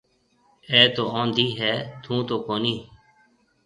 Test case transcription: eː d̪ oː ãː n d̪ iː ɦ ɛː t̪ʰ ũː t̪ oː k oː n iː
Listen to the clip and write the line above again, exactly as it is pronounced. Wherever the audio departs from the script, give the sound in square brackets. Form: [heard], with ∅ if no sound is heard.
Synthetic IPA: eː [t̪] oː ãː n d̪ iː ɦ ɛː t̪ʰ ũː t̪ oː k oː n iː